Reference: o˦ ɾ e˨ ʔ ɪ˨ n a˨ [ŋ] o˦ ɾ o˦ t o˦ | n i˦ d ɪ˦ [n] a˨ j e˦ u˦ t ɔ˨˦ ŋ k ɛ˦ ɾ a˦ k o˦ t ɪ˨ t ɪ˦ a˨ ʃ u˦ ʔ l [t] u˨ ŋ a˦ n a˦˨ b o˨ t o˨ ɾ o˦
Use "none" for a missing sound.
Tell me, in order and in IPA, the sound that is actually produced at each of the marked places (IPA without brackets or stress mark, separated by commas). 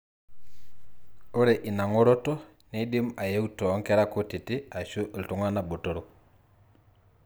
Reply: ŋ, m, t